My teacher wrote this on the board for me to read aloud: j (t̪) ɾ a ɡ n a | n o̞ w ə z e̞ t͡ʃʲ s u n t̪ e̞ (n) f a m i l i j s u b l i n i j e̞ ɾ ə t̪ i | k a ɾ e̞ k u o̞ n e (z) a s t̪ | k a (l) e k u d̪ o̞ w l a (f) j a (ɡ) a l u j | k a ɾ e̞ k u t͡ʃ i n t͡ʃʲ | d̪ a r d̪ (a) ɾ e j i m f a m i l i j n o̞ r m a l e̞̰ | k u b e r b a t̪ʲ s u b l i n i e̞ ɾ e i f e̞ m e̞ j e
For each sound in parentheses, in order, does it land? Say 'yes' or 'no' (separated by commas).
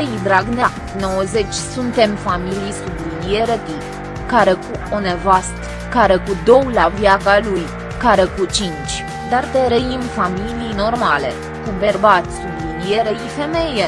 no, no, no, no, no, no, no